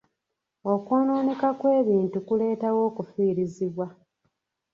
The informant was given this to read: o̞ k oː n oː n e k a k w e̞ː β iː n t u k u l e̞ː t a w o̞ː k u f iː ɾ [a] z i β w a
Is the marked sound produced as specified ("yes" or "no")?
no